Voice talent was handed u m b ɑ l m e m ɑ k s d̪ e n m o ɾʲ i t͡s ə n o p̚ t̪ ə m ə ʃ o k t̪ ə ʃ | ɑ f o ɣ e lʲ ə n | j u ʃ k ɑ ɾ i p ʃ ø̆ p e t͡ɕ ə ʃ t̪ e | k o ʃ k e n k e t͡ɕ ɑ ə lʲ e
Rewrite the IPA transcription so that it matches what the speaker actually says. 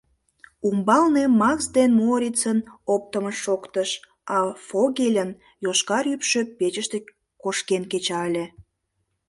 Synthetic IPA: u m b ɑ l n e m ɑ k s d̪ e n m o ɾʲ i t͡s ə n o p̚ t̪ ə m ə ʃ o k t̪ ə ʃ | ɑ f o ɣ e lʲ ə n | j o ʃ k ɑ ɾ y p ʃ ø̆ p e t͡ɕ ə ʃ t̪ e | k o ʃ k e n k e t͡ɕ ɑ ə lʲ e